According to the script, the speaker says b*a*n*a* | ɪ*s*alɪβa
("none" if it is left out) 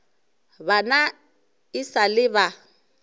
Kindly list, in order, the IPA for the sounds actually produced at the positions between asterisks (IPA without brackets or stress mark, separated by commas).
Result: a, a, s